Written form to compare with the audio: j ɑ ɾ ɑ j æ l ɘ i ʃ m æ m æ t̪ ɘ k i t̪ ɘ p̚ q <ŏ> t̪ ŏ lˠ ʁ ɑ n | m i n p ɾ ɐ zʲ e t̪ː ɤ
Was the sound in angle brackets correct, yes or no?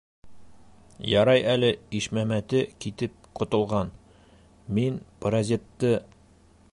yes